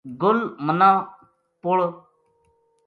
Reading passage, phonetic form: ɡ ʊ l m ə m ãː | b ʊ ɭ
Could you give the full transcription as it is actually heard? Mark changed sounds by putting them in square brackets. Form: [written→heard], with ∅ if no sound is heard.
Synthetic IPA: ɡ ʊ l m ə [m→n] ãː | [b→p] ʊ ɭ